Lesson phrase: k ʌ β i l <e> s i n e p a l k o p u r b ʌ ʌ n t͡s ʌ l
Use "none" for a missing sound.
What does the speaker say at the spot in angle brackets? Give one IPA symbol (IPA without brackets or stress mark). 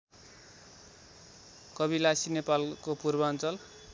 a